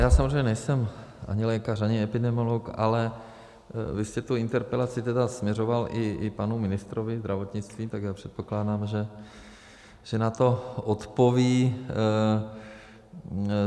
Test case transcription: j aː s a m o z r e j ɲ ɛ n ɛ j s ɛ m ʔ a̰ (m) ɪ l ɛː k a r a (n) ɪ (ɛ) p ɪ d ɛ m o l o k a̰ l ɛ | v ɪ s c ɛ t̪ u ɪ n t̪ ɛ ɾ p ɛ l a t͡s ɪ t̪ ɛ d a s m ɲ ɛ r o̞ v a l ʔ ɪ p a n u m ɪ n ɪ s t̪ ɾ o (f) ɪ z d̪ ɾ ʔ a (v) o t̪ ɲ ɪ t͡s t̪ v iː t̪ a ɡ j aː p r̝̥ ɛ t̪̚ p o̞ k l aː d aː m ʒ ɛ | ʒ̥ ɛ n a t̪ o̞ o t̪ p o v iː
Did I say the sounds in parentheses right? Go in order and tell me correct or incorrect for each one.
incorrect: ɲ, incorrect: ɲ, correct, incorrect: v, correct

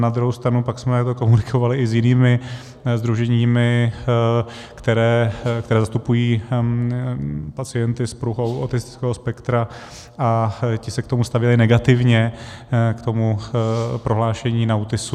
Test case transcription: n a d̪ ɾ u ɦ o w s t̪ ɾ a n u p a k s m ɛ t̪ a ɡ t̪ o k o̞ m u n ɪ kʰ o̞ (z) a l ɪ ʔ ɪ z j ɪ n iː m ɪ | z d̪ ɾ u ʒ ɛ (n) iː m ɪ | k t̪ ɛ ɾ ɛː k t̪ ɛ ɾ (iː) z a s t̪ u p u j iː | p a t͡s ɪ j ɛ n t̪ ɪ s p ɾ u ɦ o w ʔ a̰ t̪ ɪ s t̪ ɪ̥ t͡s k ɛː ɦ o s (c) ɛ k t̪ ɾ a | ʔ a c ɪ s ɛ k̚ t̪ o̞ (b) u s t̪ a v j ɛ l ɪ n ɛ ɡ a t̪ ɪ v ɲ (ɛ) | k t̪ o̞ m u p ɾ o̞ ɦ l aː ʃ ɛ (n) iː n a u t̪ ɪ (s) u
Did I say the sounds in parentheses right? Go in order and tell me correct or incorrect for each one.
incorrect: v, incorrect: ɲ, incorrect: ɛː, incorrect: p, incorrect: m, correct, incorrect: ɲ, correct

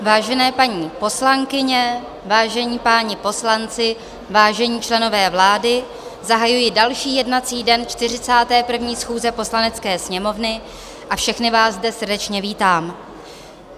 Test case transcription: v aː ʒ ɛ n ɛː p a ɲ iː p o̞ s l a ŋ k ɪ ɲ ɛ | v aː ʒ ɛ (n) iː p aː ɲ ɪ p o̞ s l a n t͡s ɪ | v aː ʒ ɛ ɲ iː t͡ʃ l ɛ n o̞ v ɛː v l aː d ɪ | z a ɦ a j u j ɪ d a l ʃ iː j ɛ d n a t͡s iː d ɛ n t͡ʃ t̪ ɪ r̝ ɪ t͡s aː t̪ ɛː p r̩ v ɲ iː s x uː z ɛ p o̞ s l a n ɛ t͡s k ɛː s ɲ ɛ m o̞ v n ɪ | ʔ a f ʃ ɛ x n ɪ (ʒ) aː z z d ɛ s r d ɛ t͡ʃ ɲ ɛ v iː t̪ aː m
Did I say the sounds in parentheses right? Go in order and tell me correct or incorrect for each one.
incorrect: ɲ, incorrect: v

